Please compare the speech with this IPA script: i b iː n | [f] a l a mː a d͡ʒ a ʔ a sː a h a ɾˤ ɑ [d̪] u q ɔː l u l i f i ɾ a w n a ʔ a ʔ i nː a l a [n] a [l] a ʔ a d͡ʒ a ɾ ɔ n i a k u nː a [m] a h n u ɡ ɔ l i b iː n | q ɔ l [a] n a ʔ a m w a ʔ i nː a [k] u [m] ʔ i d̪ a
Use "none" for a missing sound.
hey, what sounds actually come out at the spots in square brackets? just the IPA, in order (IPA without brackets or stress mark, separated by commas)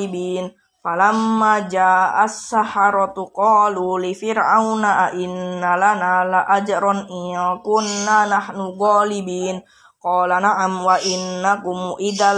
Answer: f, t̪, n, l, n, a, k, m